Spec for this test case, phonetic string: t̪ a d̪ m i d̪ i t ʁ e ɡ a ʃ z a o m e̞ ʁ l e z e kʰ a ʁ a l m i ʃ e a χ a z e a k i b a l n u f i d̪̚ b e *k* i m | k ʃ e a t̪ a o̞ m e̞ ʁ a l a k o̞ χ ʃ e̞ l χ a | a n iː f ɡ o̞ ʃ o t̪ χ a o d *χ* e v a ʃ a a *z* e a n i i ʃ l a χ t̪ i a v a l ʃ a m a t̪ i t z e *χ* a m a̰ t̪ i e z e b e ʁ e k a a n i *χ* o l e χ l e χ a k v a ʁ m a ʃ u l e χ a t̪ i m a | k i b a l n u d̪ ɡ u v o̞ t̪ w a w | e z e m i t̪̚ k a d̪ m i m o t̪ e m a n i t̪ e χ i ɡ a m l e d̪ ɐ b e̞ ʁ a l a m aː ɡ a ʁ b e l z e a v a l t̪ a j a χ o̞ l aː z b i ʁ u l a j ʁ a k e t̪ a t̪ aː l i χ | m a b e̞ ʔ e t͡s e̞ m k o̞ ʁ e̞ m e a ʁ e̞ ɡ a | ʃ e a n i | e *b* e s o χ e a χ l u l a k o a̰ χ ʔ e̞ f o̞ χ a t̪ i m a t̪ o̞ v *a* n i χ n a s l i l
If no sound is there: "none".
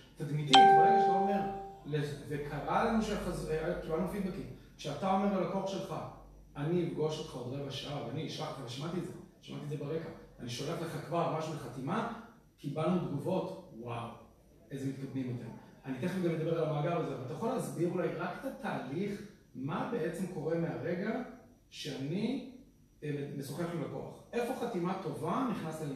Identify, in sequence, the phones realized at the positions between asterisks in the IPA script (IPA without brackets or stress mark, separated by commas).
k, ʁ, v, ʃ, ʃ, m, a